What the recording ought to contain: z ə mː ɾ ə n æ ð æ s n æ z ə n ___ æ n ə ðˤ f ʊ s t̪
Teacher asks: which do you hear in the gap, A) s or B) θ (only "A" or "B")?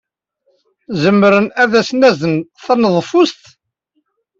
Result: B